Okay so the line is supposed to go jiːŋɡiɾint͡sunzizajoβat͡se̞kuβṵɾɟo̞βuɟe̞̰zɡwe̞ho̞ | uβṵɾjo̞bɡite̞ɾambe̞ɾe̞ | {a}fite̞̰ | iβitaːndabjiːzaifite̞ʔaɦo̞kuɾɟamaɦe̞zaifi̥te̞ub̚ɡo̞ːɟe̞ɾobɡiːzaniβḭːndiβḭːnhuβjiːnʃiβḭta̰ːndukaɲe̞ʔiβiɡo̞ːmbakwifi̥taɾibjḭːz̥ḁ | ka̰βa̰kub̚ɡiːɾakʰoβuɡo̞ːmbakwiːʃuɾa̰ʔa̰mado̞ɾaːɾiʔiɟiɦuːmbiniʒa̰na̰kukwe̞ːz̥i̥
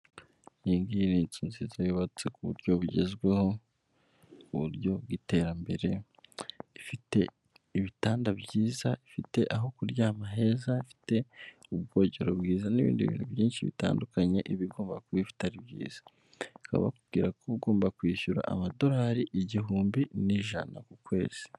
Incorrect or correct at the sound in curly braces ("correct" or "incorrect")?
incorrect